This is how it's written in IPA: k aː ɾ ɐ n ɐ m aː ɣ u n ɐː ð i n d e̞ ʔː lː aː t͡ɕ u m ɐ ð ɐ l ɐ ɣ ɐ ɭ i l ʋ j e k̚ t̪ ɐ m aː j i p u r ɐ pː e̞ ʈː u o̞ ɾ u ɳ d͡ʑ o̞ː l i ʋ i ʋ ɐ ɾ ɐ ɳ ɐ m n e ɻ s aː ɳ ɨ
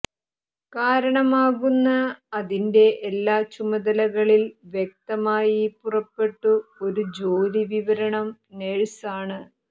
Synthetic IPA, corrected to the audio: k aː ɾ ɐ ɳ ɐ m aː ɣ u nː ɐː ð i n d e̞ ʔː lː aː t͡ɕ u m ɐ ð ɐ l ɐ ɣ ɐ ɭ i l ʋ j e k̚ t̪ ɐ m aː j i p u r ɐ pː e̞ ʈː u o̞ ɾ u d͡ʑ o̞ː ɾ i ʋ i ʋ ɐ ɾ ɐ ɳ ɐ m n e ɻ s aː ɳ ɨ

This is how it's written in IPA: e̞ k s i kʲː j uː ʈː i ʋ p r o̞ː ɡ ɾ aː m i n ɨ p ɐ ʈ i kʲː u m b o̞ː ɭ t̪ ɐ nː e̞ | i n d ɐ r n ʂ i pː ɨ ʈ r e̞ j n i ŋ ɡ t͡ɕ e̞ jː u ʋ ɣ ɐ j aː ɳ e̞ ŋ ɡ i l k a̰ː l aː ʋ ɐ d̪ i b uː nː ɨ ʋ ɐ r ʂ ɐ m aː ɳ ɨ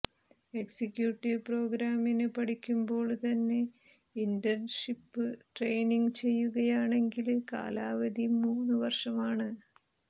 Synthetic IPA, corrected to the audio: e̞ k s i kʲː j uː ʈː i ʋ p r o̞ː ɡ ɾ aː m i n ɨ p ɐ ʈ i kʲː u m b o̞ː ɭ t̪ ɐ nː e̞ | i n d ɐ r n ʂ i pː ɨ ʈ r e̞ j n i ŋ ɡ t͡ɕ e̞ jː u ɣ ɐ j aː ɳ e̞ ŋ ɡ i l k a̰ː l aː ʋ ɐ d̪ i m uː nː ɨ ʋ ɐ r ʂ ɐ m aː ɳ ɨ

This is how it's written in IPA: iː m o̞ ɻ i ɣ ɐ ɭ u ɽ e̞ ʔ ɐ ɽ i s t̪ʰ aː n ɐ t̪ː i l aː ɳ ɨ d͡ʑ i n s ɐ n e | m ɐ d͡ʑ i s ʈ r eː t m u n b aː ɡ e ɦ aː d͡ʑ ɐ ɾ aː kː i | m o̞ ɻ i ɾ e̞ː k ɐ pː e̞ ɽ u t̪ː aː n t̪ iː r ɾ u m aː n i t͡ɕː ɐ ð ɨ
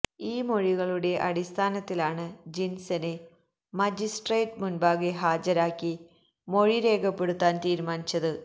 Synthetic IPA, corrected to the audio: iː m o̞ ɻ i ɣ ɐ ɭ u ɽ e̞ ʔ ɐ ɽ i s t̪ʰ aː n ɐ t̪ː i l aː ɳ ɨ d͡ʑ i n s ɐ n e | m ɐ d͡ʑ i s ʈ r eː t m u n b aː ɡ e ɦ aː d͡ʑ ɐ ɾ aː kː i | m o̞ ɻ i ɾ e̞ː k ɐ pː e̞ ɽ u t̪ː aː n t̪ iː ɾ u m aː n i t͡ɕː ɐ ð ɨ

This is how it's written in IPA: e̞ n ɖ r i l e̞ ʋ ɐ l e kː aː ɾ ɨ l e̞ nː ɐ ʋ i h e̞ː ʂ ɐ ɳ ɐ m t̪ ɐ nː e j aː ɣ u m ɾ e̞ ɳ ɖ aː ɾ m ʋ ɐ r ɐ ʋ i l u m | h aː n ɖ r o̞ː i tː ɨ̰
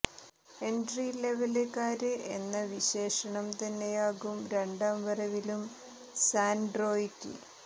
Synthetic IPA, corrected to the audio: e̞ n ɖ r i l e̞ ʋ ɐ l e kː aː ɾ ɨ e̞ nː ɐ ʋ i ɕ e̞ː ʂ ɐ ɳ ɐ m t̪ ɐ nː e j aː ɣ u m ɾ e̞ ɳ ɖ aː m ʋ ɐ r ɐ ʋ i l u m | s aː n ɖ r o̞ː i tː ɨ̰

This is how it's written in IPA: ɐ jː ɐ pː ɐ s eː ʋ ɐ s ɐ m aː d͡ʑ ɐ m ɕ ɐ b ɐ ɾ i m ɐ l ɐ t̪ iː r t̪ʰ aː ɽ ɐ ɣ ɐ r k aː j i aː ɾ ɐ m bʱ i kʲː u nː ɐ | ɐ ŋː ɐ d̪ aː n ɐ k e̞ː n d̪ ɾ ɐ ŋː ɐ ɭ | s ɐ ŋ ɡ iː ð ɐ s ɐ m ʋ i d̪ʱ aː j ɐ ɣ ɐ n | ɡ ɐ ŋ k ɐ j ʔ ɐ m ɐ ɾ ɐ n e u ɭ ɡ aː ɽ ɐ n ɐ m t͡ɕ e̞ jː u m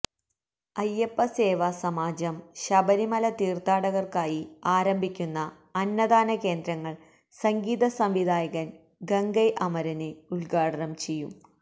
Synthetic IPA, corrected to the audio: ɐ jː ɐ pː ɐ s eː ʋ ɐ s ɐ m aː d͡ʑ ɐ m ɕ ɐ b ɐ ɾ i m ɐ l ɐ t̪ iː r t̪ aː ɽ ɐ ɣ ɐ r k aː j i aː ɾ ɐ m bʱ i kʲː u nː ɐ | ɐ nː ɐ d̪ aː n ɐ k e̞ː n d̪ ɾ ɐ ŋː ɐ ɭ | s ɐ ŋ ɡ iː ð ɐ s ɐ m ʋ i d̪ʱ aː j ɐ ɣ ɐ n | ɡ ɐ ŋ ɡ ɐ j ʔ ɐ m ɐ ɾ ɐ n e u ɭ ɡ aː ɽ ɐ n ɐ m t͡ɕ e̞ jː u m

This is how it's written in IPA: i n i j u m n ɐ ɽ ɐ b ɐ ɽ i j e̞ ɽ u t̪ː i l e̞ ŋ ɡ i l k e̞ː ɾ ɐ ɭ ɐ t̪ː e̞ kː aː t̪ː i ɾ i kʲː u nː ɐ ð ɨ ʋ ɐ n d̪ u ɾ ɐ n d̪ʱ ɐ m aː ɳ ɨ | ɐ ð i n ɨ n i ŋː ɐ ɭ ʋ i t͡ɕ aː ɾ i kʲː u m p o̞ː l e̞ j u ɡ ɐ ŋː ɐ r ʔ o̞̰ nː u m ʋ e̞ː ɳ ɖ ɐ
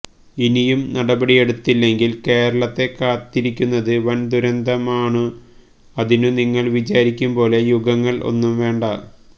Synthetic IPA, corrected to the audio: i n i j u m n ɐ ɽ ɐ b ɐ ɽ i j e̞ ɽ u t̪ː i lː e̞ ŋ ɡ i l k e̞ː ɾ ɐ ɭ ɐ t̪ː e̞ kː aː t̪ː i ɾ i kʲː u nː ɐ ð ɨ ʋ ɐ n d̪ u ɾ ɐ n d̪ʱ ɐ m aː ɳ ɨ | ɐ ð i n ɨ n i ŋː ɐ ɭ ʋ i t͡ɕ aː ɾ i kʲː u m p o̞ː l e̞ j u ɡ ɐ ŋː ɐ ɭ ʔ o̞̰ nː u m ʋ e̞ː ɳ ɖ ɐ

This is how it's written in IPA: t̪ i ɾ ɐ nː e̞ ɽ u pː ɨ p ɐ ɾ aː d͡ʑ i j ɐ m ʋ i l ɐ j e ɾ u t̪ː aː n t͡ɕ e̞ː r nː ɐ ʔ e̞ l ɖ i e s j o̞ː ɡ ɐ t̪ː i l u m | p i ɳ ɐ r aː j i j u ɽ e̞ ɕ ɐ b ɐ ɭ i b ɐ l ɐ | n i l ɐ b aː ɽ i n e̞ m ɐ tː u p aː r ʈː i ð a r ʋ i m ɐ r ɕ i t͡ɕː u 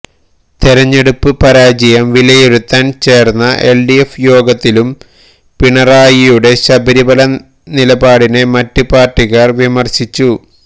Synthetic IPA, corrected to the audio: t̪ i ɾ ɐ ɲː e̞ ɽ u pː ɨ p ɐ ɾ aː d͡ʑ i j ɐ m ʋ i l ɐ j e ɾ u t̪ː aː n t͡ɕ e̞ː r nː ɐ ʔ e̞ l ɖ i e f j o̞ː ɡ ɐ t̪ː i l u m | p i ɳ ɐ r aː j i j u ɽ e̞ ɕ ɐ b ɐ ɾ i b ɐ l ɐ | n i l ɐ b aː ɽ i n e̞ m ɐ tː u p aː r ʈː i ɣ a r ʋ i m ɐ r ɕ i t͡ɕː u

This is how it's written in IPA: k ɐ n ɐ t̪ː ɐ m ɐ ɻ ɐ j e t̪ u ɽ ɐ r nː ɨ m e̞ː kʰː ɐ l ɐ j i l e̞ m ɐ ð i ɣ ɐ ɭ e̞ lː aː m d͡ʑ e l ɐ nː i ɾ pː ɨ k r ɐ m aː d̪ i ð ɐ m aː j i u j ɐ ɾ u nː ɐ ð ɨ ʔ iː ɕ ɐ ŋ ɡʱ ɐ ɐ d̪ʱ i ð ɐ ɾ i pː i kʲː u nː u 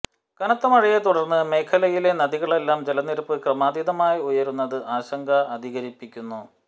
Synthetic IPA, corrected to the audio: k ɐ n ɐ t̪ː ɐ m ɐ ɻ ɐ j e t̪ u ɽ ɐ r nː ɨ m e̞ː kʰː ɐ l ɐ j i l e̞ n ɐ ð i ɣ ɐ ɭ e̞ lː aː m d͡ʑ e l ɐ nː i ɾ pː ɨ k r ɐ m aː d̪ i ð ɐ m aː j i u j ɐ ɾ u nː ɐ ð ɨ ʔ aː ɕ ɐ ŋ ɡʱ ɐ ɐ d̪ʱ i ɣ ɐ ɾ i pː i kʲː u nː u

